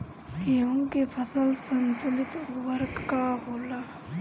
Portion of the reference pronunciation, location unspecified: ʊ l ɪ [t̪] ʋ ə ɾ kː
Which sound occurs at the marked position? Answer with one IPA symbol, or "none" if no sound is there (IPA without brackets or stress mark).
t̪